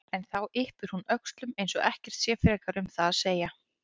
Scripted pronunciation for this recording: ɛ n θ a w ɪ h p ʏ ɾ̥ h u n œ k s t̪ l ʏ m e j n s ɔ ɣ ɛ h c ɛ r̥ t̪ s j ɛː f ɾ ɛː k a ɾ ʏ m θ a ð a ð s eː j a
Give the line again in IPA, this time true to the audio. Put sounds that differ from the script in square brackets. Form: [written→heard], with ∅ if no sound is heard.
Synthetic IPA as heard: ɛ n θ a w ɪ h p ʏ ɾ̥ h u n œ k s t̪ l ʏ m e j n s ɔ ɣ ɛ h c ɛ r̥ t̪ s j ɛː f ɾ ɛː k a ɾ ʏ m θ a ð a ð s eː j a

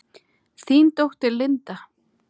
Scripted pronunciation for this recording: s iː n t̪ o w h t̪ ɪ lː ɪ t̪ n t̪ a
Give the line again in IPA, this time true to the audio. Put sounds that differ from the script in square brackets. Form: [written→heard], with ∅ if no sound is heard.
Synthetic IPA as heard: [s→θ] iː n t̪ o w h t̪ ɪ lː ɪ [t̪→∅] n t̪ a

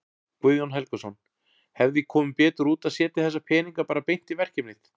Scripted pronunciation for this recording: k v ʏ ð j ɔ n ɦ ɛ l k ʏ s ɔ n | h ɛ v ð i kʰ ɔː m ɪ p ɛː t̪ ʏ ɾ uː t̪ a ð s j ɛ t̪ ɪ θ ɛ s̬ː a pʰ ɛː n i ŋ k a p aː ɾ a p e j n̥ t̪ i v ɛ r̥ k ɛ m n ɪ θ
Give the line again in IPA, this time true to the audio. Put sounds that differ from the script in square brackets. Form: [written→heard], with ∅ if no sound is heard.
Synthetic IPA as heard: k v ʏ ð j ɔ n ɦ ɛ l k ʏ s ɔ n | h ɛ v ð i kʰ ɔː m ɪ p ɛː t̪ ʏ ɾ uː t̪ a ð s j [ɛ→ɛː] t̪ ɪ θ ɛ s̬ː a pʰ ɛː n i ŋ k a p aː ɾ a p e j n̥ t̪ i v ɛ r̥ [k→c] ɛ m n ɪ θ

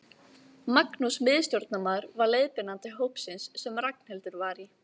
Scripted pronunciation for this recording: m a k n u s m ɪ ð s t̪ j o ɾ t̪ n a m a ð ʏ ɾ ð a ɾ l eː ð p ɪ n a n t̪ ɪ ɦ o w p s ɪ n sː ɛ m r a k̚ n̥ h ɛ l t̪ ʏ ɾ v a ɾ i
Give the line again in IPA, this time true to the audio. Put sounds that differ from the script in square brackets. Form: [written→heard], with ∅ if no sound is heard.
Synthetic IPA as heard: m a k n u s m ɪ ð s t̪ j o ɾ t̪ n a m a ð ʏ ɾ [ð→v] a ɾ l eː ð p ɪ n a n t̪ ɪ ɦ o w p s ɪ n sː ɛ m r a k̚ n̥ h ɛ l t̪ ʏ ɾ v a ɾ i

